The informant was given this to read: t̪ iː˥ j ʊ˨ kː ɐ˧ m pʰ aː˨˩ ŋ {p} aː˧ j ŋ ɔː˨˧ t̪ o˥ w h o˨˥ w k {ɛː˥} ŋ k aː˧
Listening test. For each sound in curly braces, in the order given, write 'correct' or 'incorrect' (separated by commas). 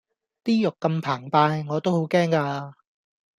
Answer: correct, correct